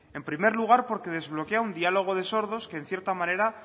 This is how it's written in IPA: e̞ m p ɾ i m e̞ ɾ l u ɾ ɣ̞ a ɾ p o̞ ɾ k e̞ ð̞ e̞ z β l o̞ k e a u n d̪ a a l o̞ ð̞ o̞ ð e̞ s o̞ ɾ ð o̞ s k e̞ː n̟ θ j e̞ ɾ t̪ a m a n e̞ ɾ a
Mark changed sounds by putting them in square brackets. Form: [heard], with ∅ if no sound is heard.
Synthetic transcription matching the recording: e̞ m p ɾ i m e̞ ɾ l u [∅] ɣ̞ a ɾ p o̞ ɾ k e̞ ð̞ e̞ z β l o̞ k e a u n d̪ [i] a l o̞ [ɣ̞] o̞ ð e̞ s o̞ ɾ ð o̞ s k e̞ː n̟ θ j e̞ ɾ t̪ a m a n e̞ ɾ a

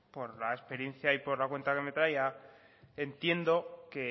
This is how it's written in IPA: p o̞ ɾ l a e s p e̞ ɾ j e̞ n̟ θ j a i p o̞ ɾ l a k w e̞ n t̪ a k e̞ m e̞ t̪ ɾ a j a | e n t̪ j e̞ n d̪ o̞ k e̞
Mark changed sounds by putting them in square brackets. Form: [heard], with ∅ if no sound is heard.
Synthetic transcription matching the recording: p o̞ ɾ l a e s p e̞ ɾ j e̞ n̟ θ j a i p o̞ ɾ l a k w e̞ n t̪ a k e̞ m e̞ t̪ ɾ a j a | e n t̪ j e̞ n d̪ o̞ k e̞

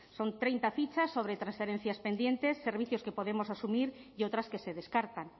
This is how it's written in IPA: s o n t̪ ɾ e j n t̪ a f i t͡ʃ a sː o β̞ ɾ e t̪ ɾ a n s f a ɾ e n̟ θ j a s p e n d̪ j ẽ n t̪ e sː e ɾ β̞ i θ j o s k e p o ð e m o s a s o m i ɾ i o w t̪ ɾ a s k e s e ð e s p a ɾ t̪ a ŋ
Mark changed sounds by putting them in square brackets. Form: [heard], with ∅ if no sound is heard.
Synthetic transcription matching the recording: s o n t̪ ɾ e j n t̪ a f i t͡ʃ a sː o β̞ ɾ e t̪ ɾ a n s f [e] ɾ e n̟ θ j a s p e n d̪ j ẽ n t̪ e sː e ɾ β̞ i θ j o s k e p o ð e m o s a s [u] m i ɾ i o w t̪ ɾ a s k e s e ð e s [k] a ɾ t̪ a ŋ

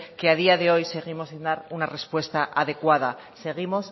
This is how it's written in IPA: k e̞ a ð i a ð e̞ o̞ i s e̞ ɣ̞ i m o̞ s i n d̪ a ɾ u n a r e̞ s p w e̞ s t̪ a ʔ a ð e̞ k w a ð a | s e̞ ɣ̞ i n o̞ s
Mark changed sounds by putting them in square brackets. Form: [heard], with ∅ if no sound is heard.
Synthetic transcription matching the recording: k e̞ a ð i a ð e̞ o̞ [j] s e̞ ɣ̞ i m o̞ s i n d̪ a ɾ u n a r e̞ s p w e̞ s t̪ a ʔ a ð e̞ k w a ð a | s e̞ ɣ̞ i [m] o̞ s

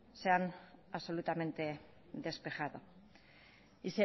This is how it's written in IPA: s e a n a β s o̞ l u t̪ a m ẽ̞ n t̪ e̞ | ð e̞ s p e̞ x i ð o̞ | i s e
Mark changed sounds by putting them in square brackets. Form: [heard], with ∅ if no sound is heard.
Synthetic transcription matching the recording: s e a n a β s o̞ l u t̪ a m [e̞] n t̪ e̞ | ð e̞ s p e̞ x [a] ð o̞ | i s e

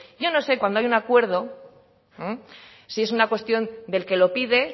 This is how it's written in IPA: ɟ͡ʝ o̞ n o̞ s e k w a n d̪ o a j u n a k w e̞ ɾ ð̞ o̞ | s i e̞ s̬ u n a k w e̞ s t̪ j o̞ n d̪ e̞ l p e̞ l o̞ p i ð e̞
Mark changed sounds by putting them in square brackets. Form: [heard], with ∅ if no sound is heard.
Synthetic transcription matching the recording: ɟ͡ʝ o̞ n o̞ s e k w a n d̪ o a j u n a k w e̞ ɾ ð̞ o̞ | s i e̞ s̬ u n a k w e̞ s t̪ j o̞ n d̪ e̞ l [k] e̞ l o̞ p i ð e̞

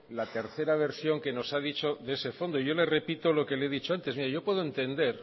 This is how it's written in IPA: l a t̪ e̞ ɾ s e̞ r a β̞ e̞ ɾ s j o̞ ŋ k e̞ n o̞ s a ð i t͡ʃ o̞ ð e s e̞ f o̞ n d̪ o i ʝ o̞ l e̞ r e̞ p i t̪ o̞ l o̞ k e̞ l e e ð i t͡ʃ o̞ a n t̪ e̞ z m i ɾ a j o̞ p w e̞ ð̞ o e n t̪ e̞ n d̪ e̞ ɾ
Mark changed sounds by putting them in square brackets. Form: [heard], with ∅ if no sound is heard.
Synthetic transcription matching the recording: l a t̪ e̞ ɾ [θ] e̞ [ɾ] a β̞ e̞ ɾ s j o̞ ŋ k e̞ n o̞ s a ð i t͡ʃ o̞ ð e s e̞ f o̞ n d̪ o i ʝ o̞ l e̞ r e̞ p i t̪ o̞ l o̞ k e̞ l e e ð i t͡ʃ o̞ a n t̪ e̞ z m i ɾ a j o̞ p w e̞ ð̞ o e n t̪ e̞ n d̪ e̞ ɾ

